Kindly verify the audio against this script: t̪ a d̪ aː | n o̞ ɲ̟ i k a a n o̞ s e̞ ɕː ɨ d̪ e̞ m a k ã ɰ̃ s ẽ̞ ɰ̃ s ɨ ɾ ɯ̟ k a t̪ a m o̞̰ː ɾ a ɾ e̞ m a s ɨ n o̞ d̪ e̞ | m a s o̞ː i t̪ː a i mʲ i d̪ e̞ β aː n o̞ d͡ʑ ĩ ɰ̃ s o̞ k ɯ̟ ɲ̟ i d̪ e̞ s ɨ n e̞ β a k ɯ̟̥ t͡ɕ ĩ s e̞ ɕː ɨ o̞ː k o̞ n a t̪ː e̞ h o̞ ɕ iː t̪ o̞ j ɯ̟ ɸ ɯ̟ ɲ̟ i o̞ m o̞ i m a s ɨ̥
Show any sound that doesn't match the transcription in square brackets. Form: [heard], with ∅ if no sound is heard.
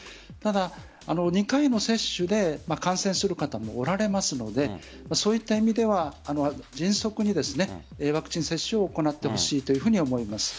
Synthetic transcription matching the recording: t̪ a d̪ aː | n o̞ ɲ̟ i k a [i] n o̞ s e̞ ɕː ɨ d̪ e̞ m a k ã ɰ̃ s ẽ̞ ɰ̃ s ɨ ɾ ɯ̟ k a t̪ a m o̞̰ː ɾ a ɾ e̞ m a s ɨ n o̞ d̪ e̞ | m a s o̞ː i t̪ː a i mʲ i d̪ e̞ β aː n o̞ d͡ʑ ĩ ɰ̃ s o̞ k ɯ̟ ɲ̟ i d̪ e̞ s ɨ n e̞ β a k ɯ̟̥ t͡ɕ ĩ s e̞ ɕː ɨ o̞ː k o̞ n a t̪ː e̞ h o̞ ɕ iː t̪ o̞ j ɯ̟ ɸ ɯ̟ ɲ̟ i o̞ m o̞ i m a s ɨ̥

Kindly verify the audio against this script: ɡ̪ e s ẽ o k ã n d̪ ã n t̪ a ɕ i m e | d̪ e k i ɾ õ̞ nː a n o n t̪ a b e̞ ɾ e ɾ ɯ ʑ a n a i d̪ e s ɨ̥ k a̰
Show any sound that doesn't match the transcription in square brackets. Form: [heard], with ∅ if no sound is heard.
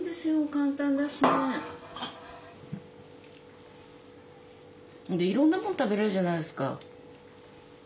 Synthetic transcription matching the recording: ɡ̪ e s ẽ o k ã n [t̪] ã n [d̪] a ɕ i [n] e | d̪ e [∅] i ɾ õ̞ nː a [m] o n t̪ a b e̞ ɾ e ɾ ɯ ʑ a n a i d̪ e s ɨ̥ k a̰

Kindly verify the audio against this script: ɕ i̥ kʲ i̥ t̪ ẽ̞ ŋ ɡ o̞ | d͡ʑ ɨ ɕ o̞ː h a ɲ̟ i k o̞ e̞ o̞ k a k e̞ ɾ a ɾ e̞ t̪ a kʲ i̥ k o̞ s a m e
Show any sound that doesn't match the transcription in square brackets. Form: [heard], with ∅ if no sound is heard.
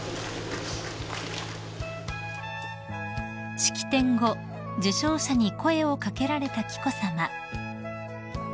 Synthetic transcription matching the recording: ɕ i̥ kʲ i̥ t̪ ẽ̞ ŋ ɡ o̞ | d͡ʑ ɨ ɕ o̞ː [ɕ] a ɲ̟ i k o̞ e̞ o̞ k a k e̞ ɾ a ɾ e̞ t̪ a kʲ i̥ k o̞ s a m [a]

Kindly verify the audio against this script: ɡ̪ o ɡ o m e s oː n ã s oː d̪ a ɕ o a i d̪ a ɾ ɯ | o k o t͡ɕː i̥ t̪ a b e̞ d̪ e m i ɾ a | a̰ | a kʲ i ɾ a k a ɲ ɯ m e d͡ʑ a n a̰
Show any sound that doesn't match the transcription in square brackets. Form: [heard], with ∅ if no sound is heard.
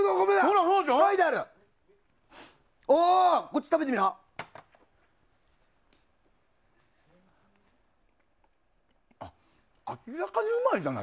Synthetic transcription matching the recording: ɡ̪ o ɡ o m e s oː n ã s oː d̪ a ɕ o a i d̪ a ɾ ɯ | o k o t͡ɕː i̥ t̪ a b e̞ [t̪] e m i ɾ a | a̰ | a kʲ i ɾ a k a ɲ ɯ m [a] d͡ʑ a n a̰

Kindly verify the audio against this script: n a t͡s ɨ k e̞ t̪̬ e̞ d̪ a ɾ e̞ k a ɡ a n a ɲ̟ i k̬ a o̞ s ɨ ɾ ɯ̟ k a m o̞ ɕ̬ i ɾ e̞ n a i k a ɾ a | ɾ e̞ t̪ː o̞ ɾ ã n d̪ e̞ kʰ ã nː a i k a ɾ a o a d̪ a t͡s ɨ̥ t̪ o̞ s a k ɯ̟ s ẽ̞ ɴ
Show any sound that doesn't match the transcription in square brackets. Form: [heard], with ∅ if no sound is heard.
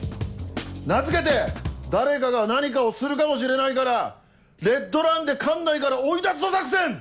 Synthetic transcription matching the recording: n a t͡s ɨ k e̞ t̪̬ e̞ d̪ a ɾ e̞ k a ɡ a n a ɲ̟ i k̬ a o̞ s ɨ ɾ ɯ̟ k a m o̞ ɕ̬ i ɾ e̞ n a i k a ɾ a | ɾ e̞ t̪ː o̞ ɾ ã n d̪ e̞ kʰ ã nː a i k a ɾ a o [i] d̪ a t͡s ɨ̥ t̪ o̞ s a k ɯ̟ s ẽ̞ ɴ

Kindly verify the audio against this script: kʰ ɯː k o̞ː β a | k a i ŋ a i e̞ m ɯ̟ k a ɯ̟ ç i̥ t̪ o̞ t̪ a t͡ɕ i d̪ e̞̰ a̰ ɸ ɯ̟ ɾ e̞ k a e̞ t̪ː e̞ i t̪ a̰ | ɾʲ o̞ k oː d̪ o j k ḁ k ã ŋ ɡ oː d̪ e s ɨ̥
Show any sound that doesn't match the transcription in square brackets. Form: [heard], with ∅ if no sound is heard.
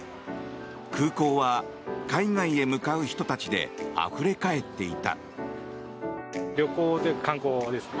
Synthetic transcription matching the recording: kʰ ɯː k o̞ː β a | k a i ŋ a i e̞ m ɯ̟ k a ɯ̟ ç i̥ t̪ o̞ t̪ a t͡ɕ i d̪ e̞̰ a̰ ɸ ɯ̟ ɾ e̞ k a e̞ t̪ː e̞ i t̪ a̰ | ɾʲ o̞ k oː [t̪] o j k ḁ k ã ŋ [k] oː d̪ e s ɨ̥

